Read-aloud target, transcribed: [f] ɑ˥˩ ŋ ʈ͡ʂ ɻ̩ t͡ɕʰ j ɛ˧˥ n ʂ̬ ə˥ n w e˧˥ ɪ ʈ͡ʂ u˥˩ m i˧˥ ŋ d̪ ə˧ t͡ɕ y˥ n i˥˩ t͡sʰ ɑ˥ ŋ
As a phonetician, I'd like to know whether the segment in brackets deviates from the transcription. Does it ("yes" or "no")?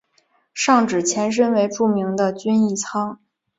yes